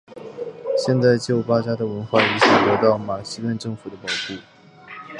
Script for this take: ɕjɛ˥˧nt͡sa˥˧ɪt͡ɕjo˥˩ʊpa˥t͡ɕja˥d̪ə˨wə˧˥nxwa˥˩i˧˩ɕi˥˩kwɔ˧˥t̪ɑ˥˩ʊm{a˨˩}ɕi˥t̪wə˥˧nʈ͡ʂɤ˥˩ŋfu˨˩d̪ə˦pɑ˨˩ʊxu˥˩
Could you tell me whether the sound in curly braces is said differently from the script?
no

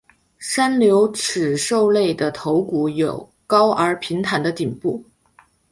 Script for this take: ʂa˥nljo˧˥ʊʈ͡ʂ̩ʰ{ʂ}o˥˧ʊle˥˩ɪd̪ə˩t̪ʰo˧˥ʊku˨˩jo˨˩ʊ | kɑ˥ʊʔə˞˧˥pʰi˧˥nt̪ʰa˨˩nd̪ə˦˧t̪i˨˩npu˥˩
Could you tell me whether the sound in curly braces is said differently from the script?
no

